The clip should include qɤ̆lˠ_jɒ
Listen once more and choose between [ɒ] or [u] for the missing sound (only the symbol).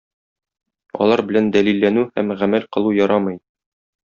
u